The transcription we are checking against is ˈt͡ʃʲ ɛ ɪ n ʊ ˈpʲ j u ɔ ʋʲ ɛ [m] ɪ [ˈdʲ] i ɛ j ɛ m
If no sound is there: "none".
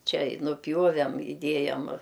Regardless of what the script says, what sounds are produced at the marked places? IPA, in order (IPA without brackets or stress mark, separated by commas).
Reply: m, dʲ